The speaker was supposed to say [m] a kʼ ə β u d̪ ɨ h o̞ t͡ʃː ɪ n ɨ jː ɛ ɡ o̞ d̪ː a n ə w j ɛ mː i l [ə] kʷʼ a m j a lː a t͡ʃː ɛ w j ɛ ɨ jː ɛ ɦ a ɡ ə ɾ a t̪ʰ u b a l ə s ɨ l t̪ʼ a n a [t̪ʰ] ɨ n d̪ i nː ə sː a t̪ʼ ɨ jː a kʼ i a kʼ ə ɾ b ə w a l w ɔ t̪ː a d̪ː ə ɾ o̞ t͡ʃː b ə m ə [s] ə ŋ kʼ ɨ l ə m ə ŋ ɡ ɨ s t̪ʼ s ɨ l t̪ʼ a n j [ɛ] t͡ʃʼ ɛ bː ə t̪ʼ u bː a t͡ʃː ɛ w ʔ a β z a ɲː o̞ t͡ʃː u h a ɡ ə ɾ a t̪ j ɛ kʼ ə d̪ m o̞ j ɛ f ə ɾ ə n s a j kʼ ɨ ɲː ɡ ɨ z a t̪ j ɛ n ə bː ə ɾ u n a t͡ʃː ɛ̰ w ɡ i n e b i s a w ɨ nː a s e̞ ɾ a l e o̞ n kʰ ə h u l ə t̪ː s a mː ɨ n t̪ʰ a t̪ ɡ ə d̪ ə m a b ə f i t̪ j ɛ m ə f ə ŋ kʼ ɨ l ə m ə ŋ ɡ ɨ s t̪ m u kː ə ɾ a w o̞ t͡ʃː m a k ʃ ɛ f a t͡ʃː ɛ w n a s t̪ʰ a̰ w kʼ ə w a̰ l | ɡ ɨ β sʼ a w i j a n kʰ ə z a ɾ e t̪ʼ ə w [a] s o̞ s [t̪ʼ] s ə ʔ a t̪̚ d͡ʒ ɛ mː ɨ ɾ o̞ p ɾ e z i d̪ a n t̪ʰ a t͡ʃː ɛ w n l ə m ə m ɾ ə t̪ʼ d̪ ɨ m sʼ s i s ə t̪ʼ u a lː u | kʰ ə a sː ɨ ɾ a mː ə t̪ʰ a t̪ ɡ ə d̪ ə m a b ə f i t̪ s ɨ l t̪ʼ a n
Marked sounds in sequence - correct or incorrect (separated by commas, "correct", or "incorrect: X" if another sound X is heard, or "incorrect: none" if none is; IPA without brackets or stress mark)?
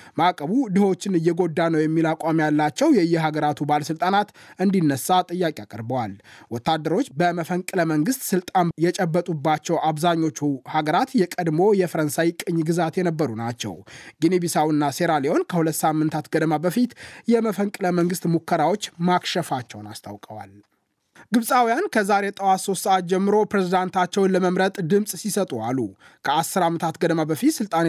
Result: correct, incorrect: a, incorrect: t̪, incorrect: f, correct, correct, incorrect: t̪